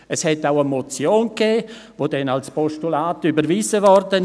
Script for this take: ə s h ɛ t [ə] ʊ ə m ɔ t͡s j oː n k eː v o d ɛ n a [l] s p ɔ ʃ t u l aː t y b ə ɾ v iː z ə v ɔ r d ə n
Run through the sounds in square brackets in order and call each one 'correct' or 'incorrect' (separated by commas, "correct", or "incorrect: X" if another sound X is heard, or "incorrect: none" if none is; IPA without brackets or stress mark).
incorrect: a, correct